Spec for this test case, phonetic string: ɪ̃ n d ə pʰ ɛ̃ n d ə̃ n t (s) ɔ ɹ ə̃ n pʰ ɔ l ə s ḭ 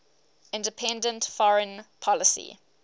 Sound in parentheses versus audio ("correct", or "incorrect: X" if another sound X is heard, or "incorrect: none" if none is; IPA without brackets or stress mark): incorrect: f